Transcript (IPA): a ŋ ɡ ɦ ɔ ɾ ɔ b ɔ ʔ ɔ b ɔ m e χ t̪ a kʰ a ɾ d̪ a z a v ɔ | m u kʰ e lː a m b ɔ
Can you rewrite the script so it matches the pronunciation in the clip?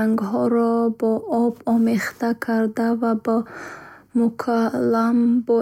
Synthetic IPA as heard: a ŋ ɡ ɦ ɔ ɾ ɔ b ɔ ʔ ɔ b ɔ m e χ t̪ a kʰ a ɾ d̪ a v a b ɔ | m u kʰ a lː a m b ɔ